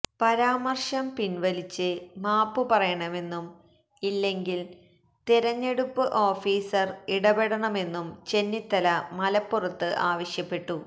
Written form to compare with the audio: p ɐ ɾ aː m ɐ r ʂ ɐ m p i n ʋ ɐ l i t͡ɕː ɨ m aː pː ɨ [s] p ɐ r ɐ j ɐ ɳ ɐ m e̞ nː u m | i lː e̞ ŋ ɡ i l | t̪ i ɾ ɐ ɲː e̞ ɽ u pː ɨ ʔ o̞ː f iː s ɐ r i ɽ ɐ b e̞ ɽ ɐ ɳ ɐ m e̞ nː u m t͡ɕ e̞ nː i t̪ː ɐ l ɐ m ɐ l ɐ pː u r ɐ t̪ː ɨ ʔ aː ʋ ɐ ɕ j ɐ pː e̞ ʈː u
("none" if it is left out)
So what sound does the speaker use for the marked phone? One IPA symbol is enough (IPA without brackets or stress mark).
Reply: none